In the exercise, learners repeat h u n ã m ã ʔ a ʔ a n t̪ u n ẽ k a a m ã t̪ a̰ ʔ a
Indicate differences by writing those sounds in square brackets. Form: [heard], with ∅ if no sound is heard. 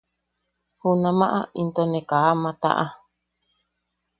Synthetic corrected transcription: h u n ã m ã ʔ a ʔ [i] n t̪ [o] n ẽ k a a m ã t̪ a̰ ʔ a